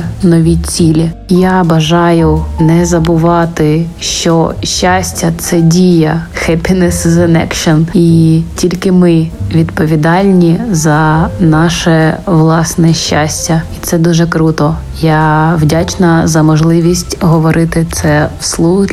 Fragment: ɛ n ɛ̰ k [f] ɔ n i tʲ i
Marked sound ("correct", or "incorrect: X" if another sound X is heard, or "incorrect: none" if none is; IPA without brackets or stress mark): incorrect: ʃ